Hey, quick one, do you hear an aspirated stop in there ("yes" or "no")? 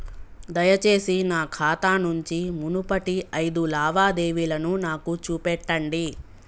yes